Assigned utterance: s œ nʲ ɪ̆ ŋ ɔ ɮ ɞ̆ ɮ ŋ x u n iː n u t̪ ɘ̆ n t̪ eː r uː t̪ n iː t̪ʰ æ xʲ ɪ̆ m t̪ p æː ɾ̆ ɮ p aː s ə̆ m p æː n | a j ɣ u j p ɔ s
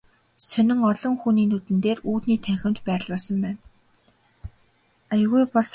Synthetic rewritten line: s œ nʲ ɪ̆ ŋ ɔ ɮ ɞ̆ ŋ x u n iː n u t̪ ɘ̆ n t̪ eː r uː t̪ n iː t̪ʰ æ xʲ ɪ̆ m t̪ p æː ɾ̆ ɮ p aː s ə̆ m p æː n | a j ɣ u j p ɔ s